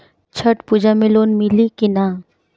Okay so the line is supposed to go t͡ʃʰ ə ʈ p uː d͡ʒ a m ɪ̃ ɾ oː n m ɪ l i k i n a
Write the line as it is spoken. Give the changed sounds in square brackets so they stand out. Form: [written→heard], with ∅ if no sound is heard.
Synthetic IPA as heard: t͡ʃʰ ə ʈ p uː d͡ʒ a m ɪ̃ [ɾ→l] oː n m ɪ l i k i n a